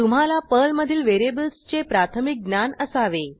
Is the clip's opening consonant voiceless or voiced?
voiceless